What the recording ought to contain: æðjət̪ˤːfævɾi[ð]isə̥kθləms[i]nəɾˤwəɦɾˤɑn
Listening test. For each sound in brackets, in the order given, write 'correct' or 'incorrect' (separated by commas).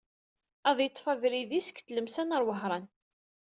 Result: correct, incorrect